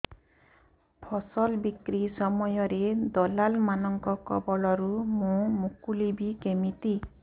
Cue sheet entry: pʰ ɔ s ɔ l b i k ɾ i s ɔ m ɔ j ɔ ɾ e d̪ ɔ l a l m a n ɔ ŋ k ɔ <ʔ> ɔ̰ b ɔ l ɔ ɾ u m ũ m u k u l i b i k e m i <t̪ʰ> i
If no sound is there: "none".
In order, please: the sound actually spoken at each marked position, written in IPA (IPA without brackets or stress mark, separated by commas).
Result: k, t̪